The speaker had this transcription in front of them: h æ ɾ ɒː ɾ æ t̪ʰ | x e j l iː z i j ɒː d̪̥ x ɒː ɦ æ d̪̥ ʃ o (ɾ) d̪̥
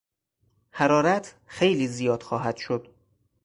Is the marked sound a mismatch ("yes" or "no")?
yes